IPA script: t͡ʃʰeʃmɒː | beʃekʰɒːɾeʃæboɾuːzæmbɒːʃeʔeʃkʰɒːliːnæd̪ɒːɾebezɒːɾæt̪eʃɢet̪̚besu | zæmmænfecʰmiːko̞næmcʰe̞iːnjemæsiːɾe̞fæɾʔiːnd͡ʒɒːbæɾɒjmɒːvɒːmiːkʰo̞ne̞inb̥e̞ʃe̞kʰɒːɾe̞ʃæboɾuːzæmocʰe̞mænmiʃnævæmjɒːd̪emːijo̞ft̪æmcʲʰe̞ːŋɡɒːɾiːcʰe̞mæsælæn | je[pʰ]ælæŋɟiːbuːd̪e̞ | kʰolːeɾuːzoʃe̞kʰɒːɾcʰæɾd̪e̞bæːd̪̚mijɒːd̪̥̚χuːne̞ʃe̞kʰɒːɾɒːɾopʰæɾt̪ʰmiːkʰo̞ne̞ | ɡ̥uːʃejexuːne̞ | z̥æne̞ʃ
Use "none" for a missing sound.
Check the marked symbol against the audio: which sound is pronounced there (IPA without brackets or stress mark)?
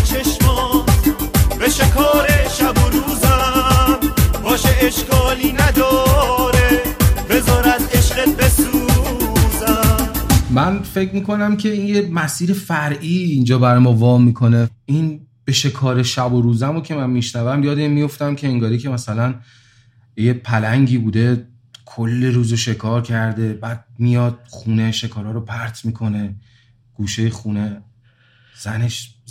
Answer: pʰ